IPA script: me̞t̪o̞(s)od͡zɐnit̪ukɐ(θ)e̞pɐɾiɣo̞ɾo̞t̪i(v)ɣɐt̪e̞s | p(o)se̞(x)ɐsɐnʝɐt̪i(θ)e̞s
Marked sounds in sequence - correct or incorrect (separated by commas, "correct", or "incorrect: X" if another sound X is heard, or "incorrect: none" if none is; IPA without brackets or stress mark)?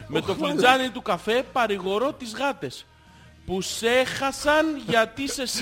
incorrect: f, incorrect: f, incorrect: z, incorrect: u, correct, incorrect: s